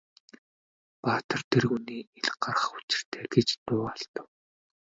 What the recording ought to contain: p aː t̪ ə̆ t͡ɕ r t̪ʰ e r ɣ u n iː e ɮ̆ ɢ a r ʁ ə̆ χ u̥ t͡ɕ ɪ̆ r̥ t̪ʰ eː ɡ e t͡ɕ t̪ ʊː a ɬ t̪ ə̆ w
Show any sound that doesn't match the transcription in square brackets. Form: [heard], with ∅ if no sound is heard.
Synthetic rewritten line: p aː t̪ ə̆ [∅] r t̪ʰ e r ɣ u n iː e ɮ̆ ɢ a r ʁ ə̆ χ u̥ t͡ɕ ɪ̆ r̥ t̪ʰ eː ɡ e t͡ɕ t̪ ʊː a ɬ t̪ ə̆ w